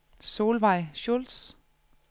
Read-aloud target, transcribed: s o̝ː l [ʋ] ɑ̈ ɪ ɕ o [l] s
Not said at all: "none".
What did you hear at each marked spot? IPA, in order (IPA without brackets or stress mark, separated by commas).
ʋ, l